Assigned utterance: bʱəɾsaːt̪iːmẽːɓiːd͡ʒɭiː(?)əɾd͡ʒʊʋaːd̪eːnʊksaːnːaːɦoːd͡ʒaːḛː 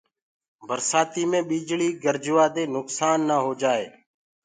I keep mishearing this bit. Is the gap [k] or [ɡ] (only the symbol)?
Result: ɡ